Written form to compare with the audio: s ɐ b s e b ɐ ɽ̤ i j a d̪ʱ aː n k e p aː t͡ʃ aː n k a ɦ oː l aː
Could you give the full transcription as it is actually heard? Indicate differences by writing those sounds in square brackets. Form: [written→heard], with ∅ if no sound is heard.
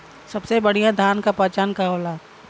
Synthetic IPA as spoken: s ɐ b s e b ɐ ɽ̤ i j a d̪ʱ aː n k [e→a] p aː t͡ʃ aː n k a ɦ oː l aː